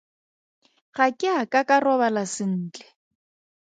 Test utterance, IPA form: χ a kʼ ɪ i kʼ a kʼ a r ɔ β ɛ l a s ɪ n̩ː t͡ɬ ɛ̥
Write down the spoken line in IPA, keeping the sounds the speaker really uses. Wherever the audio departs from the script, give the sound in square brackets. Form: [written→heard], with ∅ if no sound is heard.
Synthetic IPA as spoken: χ a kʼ ɪ [i→a] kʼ a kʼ a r ɔ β [ɛ→a] l a s ɪ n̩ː t͡ɬ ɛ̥